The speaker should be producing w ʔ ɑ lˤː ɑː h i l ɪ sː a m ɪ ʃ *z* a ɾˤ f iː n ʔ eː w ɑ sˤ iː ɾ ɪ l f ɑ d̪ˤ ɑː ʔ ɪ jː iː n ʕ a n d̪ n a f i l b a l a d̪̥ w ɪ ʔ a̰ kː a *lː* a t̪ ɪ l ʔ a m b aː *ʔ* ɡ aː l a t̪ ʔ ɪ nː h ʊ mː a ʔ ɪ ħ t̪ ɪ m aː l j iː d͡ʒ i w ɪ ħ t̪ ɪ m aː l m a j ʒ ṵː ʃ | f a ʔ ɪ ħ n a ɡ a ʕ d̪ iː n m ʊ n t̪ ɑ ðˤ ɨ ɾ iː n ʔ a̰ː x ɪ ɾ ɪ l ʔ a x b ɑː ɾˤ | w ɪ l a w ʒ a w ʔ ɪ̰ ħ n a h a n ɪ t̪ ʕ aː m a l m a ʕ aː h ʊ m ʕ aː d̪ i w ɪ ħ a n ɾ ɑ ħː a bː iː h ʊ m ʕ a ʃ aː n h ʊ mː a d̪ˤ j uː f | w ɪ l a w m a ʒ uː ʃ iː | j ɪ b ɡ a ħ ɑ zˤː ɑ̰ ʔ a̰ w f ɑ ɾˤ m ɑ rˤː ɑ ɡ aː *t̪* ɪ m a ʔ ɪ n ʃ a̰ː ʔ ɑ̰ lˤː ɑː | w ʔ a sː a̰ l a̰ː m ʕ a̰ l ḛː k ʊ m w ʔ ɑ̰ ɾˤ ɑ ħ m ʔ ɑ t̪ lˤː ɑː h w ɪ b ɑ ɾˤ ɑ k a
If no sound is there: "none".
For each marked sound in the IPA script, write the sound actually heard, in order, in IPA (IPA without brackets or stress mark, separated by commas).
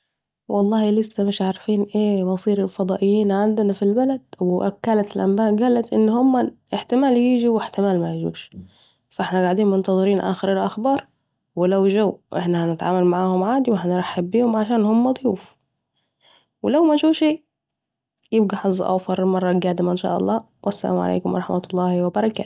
ʕ, l, ʔ, d̪